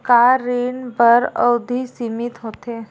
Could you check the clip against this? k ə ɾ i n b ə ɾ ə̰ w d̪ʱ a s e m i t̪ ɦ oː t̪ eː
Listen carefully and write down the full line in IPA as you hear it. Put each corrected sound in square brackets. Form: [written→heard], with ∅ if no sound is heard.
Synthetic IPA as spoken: k [ə→a] ɾ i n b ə ɾ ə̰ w d̪ʱ [a→i] s [e→i] m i t̪ ɦ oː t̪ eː